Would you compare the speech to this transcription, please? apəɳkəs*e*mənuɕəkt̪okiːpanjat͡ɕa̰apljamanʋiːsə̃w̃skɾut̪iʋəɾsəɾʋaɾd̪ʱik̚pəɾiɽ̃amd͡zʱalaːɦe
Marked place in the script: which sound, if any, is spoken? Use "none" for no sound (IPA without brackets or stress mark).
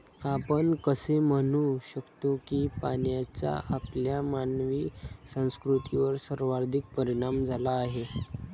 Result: e